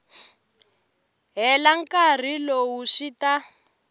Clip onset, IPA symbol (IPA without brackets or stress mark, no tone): ɦ